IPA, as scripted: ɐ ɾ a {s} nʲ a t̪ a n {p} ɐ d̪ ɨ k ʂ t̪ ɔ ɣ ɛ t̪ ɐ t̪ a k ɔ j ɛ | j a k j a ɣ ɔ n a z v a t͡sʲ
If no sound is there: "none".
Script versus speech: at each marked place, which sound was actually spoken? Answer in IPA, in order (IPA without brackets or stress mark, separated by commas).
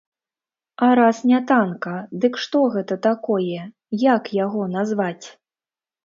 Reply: s, k